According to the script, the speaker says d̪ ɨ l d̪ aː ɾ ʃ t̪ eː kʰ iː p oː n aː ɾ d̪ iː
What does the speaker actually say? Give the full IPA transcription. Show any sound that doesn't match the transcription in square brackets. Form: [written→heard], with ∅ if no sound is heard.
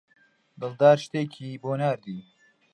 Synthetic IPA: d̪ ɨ l d̪ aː ɾ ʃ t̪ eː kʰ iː [p→b] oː n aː ɾ d̪ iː

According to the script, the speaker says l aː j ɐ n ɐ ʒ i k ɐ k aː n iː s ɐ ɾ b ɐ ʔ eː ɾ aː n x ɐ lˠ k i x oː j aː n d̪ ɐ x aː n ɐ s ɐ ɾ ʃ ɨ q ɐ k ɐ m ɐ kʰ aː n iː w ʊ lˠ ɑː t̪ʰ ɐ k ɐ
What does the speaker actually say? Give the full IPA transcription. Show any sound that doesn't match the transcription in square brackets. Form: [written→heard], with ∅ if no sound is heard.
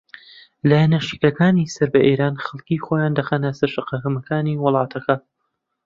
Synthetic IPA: l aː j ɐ n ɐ [ʒ→ʃ] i k ɐ k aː n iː s ɐ ɾ b ɐ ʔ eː ɾ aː n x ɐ lˠ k i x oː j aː n d̪ ɐ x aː n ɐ s ɐ ɾ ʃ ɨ q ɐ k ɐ m ɐ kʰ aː n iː w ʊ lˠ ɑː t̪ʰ ɐ k ɐ

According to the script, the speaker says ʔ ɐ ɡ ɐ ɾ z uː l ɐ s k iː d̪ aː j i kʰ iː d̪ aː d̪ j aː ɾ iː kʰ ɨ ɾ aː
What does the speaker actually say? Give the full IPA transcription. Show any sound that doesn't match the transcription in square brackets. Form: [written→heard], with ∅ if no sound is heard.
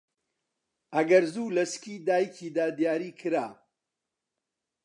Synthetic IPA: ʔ ɐ ɡ ɐ ɾ z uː l ɐ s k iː d̪ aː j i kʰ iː d̪ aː d̪ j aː ɾ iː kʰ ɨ ɾ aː

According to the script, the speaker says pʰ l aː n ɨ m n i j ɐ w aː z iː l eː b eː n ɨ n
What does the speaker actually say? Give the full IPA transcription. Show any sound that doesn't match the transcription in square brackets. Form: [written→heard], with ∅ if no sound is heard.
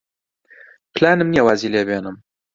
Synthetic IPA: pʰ l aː n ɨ m n i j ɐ w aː z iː l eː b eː n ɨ [n→m]

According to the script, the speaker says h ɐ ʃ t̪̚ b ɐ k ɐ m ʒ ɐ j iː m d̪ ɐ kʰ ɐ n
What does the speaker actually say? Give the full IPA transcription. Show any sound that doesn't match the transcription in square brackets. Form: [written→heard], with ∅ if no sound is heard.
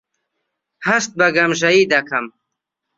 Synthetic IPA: h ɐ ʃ t̪̚ b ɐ [k→ɡ] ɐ m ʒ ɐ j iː [m→∅] d̪ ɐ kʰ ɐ [n→m]

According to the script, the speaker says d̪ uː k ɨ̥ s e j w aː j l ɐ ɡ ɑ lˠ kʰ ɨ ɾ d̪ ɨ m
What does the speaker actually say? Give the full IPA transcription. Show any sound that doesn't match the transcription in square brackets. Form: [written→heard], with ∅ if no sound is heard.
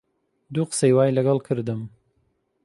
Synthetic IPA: d̪ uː [k→q] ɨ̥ s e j w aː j l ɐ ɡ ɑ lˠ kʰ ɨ ɾ d̪ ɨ m

